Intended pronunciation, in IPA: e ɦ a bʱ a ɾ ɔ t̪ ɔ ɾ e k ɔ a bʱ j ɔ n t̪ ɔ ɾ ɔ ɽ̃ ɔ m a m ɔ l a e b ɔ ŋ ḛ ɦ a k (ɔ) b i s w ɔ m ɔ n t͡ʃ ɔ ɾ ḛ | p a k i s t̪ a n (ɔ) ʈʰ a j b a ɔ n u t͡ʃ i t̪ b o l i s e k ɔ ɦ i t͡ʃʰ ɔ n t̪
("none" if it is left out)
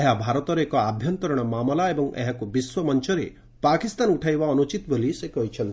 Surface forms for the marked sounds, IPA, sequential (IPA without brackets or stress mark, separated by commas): u, u